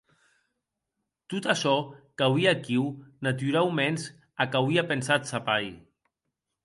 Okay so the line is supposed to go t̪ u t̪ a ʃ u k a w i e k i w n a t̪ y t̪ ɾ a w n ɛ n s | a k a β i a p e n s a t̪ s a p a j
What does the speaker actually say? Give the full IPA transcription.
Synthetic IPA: t̪ u t̪ a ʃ ɔ k a w i a k i w n a t̪ y ɾ a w m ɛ n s | a k a w i a p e n s a t̪ s a p a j

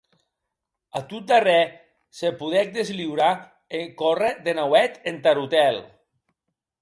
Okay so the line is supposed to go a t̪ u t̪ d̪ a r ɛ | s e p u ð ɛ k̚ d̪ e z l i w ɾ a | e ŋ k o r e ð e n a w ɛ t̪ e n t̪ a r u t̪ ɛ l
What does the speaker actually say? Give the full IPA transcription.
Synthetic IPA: a t̪ u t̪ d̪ a r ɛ | s e p u ð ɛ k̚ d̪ e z l i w ɾ a | e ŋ k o r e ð e n a w ɛ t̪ e n t̪ a ɾ u t̪ ɛ l

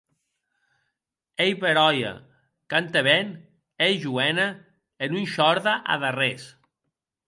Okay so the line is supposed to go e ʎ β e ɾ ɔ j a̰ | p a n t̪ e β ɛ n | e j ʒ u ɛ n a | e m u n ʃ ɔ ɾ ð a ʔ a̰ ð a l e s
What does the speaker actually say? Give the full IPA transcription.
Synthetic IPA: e j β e ɾ ɔ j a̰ | k a n t̪ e β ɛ n | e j ʒ u ɛ n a | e n u n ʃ ɔ ɾ ð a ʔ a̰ ð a r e s

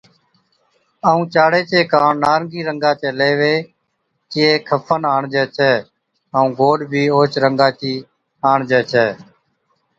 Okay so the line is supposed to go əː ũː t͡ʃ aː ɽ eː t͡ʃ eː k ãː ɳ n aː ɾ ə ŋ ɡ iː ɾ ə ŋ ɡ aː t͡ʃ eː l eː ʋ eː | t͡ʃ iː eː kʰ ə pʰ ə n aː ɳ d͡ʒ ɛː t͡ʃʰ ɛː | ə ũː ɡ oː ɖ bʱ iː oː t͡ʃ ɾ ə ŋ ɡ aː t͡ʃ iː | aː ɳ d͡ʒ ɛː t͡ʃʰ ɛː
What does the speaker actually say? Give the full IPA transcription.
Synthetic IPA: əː ũː t͡ʃ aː ɽ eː t͡ʃ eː k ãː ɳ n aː ɾ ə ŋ ɡ iː ɾ ə ŋ ɡ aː t͡ʃ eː l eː ʋ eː | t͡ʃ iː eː kʰ ə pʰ ə n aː ɳ d͡ʒ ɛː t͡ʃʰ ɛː | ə ũː ɡ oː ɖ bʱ iː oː t͡ʃ ɾ ə ŋ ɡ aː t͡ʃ iː | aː ɳ d͡ʒ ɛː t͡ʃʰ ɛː

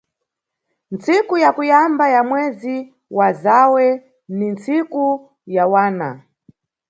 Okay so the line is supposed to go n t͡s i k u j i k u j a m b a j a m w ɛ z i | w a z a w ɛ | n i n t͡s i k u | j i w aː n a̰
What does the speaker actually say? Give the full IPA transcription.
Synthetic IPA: n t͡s i k u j a k u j a m b a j a m w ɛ z i | w a z a w ɛ | n i n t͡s i k u | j a w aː n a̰

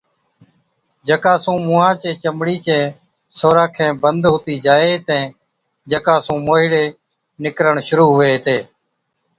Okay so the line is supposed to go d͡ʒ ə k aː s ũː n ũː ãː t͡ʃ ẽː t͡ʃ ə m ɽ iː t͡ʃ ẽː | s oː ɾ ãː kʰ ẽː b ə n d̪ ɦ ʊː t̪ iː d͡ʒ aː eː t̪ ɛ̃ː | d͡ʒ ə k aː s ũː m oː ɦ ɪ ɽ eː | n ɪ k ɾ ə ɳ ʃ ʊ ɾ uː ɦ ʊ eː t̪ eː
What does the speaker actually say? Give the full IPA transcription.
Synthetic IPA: d͡ʒ ə k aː s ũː m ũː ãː t͡ʃ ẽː t͡ʃ ə m ɽ iː t͡ʃ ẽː | s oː ɾ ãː kʰ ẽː b ə n d̪ ɦ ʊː t̪ iː d͡ʒ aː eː t̪ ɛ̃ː | d͡ʒ ə k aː s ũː m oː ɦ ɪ ɽ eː | n ɪ k ɾ ə ɳ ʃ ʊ ɾ uː ɦ ʊ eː t̪ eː

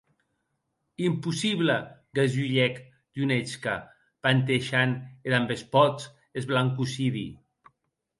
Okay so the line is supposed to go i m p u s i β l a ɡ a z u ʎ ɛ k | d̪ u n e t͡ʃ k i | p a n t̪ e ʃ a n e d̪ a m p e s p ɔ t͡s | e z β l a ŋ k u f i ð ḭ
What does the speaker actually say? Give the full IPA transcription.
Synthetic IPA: i m p u s i β l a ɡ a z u ʎ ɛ k | d̪ u n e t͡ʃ k a | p a n t̪ e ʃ a n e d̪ a m b e s p ɔ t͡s | e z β l a ŋ k u s i ð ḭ

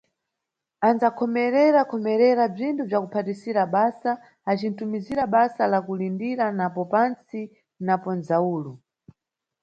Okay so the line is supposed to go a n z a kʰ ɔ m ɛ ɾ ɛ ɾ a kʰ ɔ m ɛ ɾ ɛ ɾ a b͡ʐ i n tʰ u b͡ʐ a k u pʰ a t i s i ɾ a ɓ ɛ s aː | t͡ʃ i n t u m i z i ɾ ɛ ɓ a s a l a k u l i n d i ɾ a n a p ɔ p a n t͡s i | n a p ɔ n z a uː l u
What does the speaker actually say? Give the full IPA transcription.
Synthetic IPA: a n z a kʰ ɔ m ɛ ɾ ɛ ɾ a kʰ ɔ m ɛ ɾ ɛ ɾ a b͡ʐ i n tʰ u b͡ʐ a k u pʰ a t i s i ɾ a ɓ a s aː | t͡ʃ i n t u m i z i ɾ a ɓ a s a l a k u l i n d i ɾ a n a p ɔ p a n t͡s i | n a p ɔ n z a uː l u

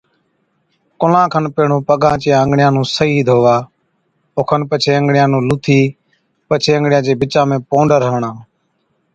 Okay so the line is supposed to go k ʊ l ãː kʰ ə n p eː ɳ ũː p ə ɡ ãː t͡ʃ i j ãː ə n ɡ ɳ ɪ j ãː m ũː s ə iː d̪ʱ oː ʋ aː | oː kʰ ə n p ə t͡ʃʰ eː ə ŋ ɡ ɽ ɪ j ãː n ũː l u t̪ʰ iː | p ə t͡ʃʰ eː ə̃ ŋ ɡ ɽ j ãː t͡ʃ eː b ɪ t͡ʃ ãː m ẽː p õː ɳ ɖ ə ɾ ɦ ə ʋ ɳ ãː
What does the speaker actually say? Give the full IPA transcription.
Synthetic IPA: k ʊ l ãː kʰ ə n p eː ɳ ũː p ə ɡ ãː t͡ʃ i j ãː ə ŋ ɡ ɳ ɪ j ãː n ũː s ə iː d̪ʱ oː ʋ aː | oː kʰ ə n p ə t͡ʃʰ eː ə ŋ ɡ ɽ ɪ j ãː n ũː l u t̪ʰ iː | p ə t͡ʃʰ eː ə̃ ŋ ɡ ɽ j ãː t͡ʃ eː b ɪ t͡ʃ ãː m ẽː p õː ɳ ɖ ə ɾ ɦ ə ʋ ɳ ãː

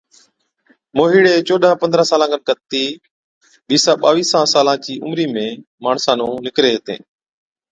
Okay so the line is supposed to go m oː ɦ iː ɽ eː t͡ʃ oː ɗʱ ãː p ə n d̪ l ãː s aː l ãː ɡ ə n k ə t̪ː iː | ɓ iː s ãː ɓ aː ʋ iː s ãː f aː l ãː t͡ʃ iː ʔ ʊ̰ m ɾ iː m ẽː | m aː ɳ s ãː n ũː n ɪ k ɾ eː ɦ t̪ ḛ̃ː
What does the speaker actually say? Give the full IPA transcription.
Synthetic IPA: m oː ɦ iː ɽ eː t͡ʃ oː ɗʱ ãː p ə n d̪ ɾ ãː s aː l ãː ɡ ə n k ə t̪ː iː | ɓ iː s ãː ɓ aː ʋ iː s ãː s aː l ãː t͡ʃ iː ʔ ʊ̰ m ɾ iː m ẽː | m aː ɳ s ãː n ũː n ɪ k ɾ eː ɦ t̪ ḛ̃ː

